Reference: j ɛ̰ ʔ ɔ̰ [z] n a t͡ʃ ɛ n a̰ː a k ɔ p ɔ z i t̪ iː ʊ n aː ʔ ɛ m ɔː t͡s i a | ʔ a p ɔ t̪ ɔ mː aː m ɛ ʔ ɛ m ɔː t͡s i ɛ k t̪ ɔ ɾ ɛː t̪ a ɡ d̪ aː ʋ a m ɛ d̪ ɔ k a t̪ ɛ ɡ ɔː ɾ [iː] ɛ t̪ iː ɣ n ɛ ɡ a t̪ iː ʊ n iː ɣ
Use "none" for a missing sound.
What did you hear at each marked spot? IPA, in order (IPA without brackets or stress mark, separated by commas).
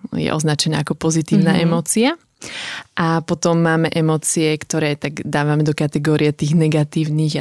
z, i